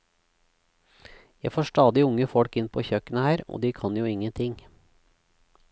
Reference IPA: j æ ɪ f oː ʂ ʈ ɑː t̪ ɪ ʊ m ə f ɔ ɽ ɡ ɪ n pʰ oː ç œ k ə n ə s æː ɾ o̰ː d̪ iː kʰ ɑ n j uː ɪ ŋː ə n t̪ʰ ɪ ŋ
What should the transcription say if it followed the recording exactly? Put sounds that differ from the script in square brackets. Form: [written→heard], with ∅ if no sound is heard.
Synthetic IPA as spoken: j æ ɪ f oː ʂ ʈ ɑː [t̪→d̪] ɪ ʊ [m→ŋ] ə f ɔ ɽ [ɡ→k] ɪ n pʰ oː ç œ k ə n ə [s→h] æː ɾ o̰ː d̪ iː kʰ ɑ n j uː ɪ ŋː ə n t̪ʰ ɪ ŋ